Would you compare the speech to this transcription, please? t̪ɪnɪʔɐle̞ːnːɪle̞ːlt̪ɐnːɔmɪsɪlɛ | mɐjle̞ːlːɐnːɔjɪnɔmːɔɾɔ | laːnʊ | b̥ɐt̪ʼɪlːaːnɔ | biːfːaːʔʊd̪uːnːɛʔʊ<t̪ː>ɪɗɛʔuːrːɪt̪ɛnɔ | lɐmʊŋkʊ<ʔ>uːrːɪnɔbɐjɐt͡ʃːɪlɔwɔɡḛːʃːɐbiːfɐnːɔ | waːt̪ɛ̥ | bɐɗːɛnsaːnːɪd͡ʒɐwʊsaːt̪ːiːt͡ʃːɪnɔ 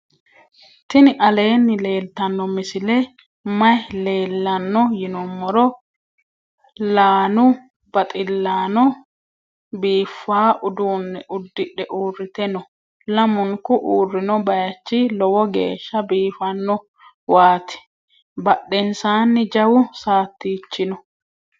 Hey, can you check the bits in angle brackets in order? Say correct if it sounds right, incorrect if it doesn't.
incorrect: d̪ː, correct

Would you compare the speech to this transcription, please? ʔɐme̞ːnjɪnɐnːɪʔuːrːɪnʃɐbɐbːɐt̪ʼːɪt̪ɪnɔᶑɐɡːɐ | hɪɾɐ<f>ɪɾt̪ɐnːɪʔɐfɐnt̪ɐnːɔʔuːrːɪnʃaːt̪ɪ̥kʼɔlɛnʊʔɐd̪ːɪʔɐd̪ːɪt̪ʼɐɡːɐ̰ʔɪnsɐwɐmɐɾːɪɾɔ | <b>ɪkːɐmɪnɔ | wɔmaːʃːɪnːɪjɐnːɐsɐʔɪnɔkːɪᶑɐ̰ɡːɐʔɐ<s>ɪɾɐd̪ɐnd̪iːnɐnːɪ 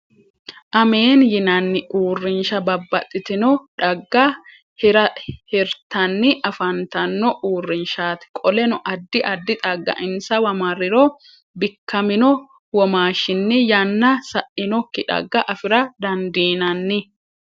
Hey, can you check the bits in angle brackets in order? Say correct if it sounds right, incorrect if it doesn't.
incorrect: h, correct, incorrect: f

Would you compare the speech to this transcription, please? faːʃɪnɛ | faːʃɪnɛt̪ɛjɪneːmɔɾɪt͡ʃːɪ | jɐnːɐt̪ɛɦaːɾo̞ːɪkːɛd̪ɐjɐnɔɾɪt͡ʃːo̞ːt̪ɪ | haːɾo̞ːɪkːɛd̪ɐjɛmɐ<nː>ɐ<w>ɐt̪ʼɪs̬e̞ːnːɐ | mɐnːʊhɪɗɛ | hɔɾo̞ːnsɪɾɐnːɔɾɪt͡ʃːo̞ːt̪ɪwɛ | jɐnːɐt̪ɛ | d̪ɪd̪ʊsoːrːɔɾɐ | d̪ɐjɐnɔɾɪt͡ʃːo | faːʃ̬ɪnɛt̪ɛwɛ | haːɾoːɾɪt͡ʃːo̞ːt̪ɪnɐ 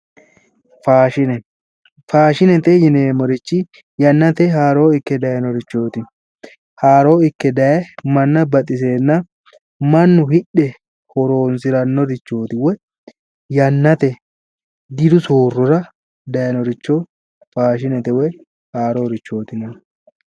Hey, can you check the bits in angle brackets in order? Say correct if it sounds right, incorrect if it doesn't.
correct, incorrect: b

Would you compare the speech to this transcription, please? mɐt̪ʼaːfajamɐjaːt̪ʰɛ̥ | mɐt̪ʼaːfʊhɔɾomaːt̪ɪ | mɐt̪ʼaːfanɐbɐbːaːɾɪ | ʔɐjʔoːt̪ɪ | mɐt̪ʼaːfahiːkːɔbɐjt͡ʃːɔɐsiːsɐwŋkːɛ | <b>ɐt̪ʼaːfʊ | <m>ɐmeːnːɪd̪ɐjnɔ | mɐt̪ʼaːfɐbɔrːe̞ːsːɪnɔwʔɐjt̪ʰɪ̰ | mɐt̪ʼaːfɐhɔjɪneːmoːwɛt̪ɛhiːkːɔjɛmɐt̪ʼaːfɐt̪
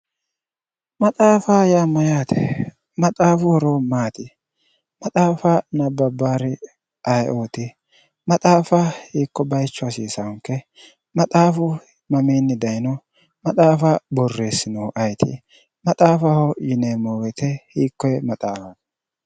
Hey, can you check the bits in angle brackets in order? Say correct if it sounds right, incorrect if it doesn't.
incorrect: m, correct

